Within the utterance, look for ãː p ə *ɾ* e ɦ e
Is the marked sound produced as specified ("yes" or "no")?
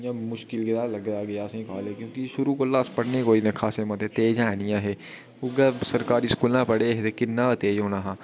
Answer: no